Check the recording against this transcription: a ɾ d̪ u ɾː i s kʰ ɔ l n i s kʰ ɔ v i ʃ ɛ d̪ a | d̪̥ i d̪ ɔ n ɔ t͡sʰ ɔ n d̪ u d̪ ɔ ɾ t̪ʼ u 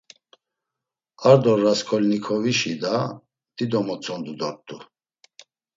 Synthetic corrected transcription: a ɾ d̪ ɔ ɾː a s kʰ ɔ l n i kʰ ɔ v i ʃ i d̪ a | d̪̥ i d̪ ɔ m ɔ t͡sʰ ɔ n d̪ u d̪ ɔ ɾ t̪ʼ u